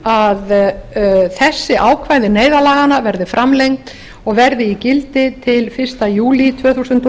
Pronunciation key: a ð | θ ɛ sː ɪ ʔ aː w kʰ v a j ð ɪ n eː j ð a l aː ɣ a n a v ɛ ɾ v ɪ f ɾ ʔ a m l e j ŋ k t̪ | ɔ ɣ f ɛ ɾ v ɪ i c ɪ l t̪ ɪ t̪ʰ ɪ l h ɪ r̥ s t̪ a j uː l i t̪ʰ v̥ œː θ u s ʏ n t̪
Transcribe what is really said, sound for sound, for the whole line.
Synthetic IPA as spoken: a ð | θ ɛ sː ɪ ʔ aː w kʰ v a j ð ɪ n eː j ð a l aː ɣ a n a v ɛ ɾ ð ɪ f ɾ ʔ a m l e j ŋ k t̪ | ɔ ɣ v ɛ ɾ ð ɪ i c ɪ l t̪ ɪ t̪ʰ ɪ l f ɪ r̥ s t̪ a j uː l i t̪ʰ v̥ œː θ u s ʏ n t̪